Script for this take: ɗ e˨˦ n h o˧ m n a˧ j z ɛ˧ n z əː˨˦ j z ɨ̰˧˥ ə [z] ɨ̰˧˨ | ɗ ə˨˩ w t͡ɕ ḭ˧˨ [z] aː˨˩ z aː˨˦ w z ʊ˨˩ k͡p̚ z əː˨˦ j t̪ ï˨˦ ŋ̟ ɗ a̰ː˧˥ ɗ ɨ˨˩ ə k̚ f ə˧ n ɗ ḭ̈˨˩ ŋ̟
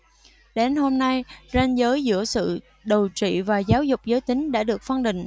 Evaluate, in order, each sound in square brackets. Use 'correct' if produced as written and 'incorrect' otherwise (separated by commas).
incorrect, incorrect